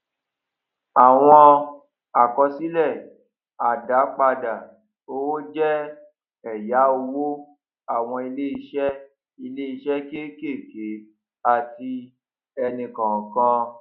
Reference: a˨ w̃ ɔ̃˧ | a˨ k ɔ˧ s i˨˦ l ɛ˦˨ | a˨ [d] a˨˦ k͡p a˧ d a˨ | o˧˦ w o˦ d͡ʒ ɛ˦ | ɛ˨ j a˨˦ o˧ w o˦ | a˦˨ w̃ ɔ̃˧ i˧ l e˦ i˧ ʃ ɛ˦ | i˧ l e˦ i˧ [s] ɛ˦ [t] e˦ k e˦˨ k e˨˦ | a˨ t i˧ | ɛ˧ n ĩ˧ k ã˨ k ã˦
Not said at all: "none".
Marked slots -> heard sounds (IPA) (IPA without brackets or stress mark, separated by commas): d, ʃ, k